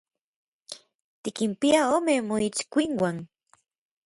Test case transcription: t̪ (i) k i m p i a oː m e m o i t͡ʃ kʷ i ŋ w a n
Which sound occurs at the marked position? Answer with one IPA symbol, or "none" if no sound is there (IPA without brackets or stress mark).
i